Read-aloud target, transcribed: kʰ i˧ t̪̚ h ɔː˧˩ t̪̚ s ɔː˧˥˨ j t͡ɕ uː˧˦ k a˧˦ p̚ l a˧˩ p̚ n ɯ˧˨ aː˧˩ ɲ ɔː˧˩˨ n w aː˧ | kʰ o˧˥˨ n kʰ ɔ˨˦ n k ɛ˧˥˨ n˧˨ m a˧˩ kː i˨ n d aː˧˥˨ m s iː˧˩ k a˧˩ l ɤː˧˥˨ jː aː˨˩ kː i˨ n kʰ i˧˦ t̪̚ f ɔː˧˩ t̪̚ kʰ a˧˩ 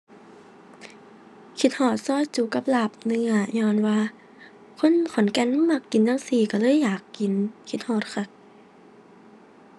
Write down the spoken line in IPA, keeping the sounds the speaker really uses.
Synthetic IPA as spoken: kʰ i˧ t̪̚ h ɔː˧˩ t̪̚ s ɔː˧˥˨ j t͡ɕ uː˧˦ k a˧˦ p̚ l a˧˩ p̚ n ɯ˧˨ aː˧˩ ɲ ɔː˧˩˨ n w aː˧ | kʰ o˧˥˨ n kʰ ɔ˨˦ n k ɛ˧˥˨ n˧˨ m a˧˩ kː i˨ n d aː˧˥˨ ŋ s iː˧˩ k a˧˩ l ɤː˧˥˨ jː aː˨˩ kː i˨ n kʰ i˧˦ t̪̚ h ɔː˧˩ t̪̚ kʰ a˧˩